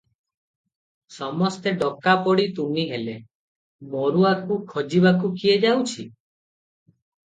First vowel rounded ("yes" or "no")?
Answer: yes